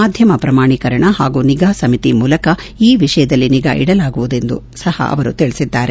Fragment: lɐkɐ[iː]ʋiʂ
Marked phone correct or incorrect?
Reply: correct